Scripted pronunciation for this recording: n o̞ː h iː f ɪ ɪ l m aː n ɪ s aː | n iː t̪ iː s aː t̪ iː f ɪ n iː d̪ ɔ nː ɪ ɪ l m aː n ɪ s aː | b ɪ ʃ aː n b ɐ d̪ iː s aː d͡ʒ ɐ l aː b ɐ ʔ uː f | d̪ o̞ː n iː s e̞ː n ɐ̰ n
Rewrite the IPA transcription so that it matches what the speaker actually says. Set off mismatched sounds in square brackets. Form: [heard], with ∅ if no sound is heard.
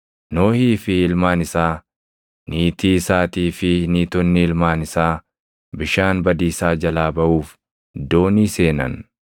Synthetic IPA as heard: n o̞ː h iː f ɪ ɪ l m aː n ɪ s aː | n iː t̪ iː s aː t̪ iː f ɪ n iː [t̪] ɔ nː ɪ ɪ l m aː n ɪ s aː | b ɪ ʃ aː n b ɐ d̪ iː s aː d͡ʒ ɐ l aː b ɐ ʔ uː f | d̪ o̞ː n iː s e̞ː n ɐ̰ n